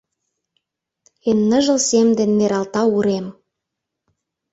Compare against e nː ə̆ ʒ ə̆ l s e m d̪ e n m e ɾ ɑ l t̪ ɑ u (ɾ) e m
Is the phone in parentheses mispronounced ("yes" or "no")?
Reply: no